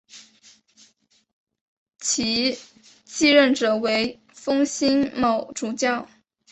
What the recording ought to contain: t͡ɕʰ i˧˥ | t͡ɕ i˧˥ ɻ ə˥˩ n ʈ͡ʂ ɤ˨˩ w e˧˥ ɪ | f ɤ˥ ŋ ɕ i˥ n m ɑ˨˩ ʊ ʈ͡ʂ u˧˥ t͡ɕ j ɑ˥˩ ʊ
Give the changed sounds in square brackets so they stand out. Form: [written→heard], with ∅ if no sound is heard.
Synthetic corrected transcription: t͡ɕʰ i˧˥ | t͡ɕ [i˧˥→i˥˧] ɻ ə˥˩ n ʈ͡ʂ ɤ˨˩ w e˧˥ ɪ | f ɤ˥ ŋ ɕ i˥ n m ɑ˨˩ ʊ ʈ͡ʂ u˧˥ t͡ɕ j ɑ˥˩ ʊ

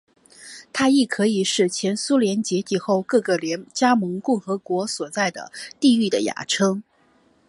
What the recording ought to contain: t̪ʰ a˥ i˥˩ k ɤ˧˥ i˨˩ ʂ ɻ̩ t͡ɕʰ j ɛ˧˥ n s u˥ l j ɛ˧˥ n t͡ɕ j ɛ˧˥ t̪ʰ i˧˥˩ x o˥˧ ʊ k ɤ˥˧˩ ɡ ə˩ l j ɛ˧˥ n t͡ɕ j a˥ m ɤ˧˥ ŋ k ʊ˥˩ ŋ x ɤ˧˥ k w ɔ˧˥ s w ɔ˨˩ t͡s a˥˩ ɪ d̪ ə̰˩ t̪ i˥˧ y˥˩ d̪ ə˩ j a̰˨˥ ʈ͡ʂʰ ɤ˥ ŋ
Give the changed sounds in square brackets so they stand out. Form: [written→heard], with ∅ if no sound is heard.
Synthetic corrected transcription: t̪ʰ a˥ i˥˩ [k→kʰ] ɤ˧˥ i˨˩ ʂ ɻ̩ t͡ɕʰ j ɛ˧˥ n s u˥ l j ɛ˧˥ n t͡ɕ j ɛ˧˥ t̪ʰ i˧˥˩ x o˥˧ ʊ k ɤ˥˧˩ ɡ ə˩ l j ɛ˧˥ n t͡ɕ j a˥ m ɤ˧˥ ŋ k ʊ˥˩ ŋ x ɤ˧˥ k w ɔ˧˥ s w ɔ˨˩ t͡s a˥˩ ɪ d̪ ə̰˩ t̪ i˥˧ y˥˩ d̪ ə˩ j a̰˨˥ ʈ͡ʂʰ ɤ˥ ŋ

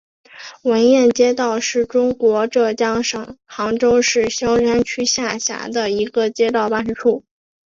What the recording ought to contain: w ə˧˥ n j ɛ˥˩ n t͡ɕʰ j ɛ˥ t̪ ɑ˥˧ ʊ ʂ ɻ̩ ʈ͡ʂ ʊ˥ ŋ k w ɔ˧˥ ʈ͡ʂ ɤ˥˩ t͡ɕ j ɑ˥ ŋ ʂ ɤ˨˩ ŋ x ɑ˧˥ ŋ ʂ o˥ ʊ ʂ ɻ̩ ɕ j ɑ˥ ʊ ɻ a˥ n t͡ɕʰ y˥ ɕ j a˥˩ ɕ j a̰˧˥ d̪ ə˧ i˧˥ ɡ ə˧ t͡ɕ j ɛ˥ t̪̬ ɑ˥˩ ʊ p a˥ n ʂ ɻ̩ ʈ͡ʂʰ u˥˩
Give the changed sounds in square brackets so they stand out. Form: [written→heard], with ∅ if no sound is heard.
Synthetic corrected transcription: w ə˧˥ n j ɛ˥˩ n [t͡ɕʰ→t͡ɕ] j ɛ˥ t̪ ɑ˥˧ ʊ ʂ ɻ̩ ʈ͡ʂ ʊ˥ ŋ k w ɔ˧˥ ʈ͡ʂ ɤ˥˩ t͡ɕ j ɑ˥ ŋ ʂ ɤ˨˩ ŋ x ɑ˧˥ ŋ [ʂ→ʈ͡ʂ] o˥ ʊ ʂ ɻ̩ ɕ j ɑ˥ ʊ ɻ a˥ n t͡ɕʰ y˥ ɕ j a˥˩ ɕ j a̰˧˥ d̪ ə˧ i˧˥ ɡ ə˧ t͡ɕ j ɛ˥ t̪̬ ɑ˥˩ ʊ p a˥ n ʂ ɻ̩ ʈ͡ʂʰ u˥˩

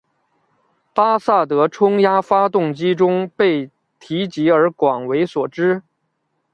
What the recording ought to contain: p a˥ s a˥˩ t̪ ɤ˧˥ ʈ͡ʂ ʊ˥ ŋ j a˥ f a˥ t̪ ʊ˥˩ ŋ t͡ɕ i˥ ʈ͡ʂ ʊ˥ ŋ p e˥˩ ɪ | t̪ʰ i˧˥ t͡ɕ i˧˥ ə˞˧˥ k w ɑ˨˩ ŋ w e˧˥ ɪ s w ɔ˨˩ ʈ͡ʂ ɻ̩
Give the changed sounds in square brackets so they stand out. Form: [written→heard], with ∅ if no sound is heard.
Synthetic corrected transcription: p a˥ s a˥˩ t̪ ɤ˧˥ [ʈ͡ʂ→ʈ͡ʂʰ] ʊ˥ ŋ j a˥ f a˥ t̪ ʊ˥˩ ŋ t͡ɕ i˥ ʈ͡ʂ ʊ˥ ŋ p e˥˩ ɪ | t̪ʰ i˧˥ t͡ɕ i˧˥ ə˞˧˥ k w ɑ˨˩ ŋ w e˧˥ ɪ s w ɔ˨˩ ʈ͡ʂ ɻ̩

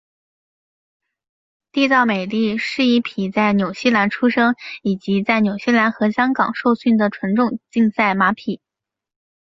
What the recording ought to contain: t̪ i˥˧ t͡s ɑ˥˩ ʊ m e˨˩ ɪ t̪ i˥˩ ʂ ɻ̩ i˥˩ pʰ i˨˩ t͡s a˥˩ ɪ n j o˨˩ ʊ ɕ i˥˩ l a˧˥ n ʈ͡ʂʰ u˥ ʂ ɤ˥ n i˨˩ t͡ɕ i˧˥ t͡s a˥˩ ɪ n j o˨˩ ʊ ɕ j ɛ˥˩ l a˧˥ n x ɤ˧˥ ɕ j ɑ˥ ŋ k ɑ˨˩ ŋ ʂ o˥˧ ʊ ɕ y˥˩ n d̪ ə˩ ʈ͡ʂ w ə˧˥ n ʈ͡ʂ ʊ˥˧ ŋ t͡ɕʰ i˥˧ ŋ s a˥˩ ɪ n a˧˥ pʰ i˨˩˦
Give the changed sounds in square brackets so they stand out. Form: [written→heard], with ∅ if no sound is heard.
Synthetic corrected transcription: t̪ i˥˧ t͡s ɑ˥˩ ʊ m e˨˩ ɪ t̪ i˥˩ ʂ ɻ̩ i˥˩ pʰ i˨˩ t͡s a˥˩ ɪ n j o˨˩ ʊ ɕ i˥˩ l a˧˥ n ʈ͡ʂʰ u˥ ʂ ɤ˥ [n→ŋ] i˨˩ t͡ɕ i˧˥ t͡s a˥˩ ɪ n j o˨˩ ʊ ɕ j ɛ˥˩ l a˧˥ n x ɤ˧˥ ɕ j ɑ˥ ŋ k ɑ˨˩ ŋ ʂ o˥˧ ʊ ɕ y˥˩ n d̪ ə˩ [ʈ͡ʂ→ʈ͡ʂʰ] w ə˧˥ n ʈ͡ʂ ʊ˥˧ ŋ [t͡ɕʰ→t͡ɕ] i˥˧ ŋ s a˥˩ ɪ [n→m] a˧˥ pʰ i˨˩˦

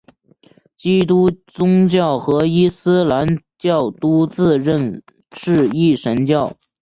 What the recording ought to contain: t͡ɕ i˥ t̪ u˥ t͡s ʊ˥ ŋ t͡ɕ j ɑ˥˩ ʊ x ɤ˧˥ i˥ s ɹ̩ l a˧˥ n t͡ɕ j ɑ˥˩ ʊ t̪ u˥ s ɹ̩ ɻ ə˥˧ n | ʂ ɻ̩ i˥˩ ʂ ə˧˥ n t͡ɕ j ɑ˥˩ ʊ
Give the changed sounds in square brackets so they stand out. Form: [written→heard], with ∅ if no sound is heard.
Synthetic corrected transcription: t͡ɕ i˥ t̪ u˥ t͡s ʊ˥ ŋ t͡ɕ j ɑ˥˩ ʊ x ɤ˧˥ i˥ s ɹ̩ l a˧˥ n t͡ɕ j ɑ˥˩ ʊ t̪ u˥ [s→t͡s] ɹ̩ ɻ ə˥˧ n | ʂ ɻ̩ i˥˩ ʂ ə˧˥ n t͡ɕ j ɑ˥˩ ʊ

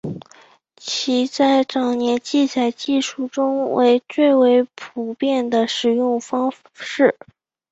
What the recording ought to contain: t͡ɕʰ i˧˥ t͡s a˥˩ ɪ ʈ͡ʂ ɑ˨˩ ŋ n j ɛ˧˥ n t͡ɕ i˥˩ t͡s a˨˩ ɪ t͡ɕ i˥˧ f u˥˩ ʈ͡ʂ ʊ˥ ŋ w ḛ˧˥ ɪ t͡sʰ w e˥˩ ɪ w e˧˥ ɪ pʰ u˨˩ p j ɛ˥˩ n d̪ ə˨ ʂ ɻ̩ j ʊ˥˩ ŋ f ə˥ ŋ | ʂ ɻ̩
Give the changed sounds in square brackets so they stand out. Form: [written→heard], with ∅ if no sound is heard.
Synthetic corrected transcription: t͡ɕʰ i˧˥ t͡s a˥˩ ɪ ʈ͡ʂ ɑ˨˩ ŋ n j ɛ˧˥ n t͡ɕ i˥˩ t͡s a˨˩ ɪ t͡ɕ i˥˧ [f→ʂ] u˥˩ ʈ͡ʂ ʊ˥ ŋ w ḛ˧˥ ɪ [t͡sʰ→t͡s] w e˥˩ ɪ w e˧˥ ɪ pʰ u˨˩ p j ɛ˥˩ n d̪ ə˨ ʂ ɻ̩ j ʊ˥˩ ŋ f [ə˥→ɑ˥] ŋ | ʂ ɻ̩

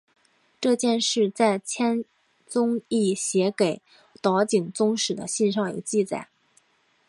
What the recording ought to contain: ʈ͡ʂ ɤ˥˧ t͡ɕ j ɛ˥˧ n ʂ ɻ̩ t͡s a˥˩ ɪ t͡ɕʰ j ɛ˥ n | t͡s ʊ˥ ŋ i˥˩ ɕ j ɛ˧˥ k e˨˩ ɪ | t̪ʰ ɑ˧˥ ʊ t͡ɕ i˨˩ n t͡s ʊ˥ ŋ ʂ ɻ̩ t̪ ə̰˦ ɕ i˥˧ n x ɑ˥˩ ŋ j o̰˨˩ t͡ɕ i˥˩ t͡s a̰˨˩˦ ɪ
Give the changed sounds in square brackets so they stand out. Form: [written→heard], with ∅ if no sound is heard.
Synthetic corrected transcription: ʈ͡ʂ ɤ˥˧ t͡ɕ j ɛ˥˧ n ʂ ɻ̩ t͡s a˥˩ ɪ t͡ɕʰ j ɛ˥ n | t͡s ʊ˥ ŋ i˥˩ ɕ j ɛ˧˥ k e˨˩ ɪ | [t̪ʰ→t̪] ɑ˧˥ ʊ t͡ɕ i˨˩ [n→ŋ] t͡s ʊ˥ ŋ ʂ ɻ̩ [t̪→d̪] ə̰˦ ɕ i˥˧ n [x→ʂ] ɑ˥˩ ŋ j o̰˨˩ t͡ɕ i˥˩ t͡s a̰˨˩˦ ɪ

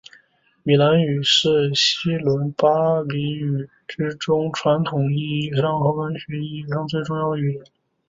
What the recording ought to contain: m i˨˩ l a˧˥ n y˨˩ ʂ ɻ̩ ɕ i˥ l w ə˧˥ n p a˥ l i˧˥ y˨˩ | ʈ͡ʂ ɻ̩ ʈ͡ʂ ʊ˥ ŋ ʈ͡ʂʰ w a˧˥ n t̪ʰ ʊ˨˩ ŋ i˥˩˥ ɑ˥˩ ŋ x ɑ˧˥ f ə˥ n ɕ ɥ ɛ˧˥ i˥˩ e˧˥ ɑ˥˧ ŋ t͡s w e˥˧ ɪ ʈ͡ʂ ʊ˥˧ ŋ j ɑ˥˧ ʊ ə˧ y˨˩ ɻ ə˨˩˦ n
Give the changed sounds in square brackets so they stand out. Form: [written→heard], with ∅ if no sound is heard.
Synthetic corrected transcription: m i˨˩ l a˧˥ n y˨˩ ʂ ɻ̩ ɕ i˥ l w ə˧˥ n p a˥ l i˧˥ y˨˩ | ʈ͡ʂ ɻ̩ ʈ͡ʂ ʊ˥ ŋ ʈ͡ʂʰ w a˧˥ n t̪ʰ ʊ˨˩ ŋ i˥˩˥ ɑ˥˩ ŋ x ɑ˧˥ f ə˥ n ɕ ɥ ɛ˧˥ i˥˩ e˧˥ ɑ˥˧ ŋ t͡s w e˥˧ ɪ ʈ͡ʂ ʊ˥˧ ŋ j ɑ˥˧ ʊ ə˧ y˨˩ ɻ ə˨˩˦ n

